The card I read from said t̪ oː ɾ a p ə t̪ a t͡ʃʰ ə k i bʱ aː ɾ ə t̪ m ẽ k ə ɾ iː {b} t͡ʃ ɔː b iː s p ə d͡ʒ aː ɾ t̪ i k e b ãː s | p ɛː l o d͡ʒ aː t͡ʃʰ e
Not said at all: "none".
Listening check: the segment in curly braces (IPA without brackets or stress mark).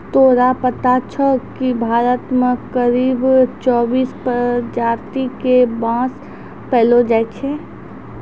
b